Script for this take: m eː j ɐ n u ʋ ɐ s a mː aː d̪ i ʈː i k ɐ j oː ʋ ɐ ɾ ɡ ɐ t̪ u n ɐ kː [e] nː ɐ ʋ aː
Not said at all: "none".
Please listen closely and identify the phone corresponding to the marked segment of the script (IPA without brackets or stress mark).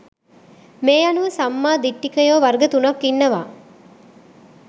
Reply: i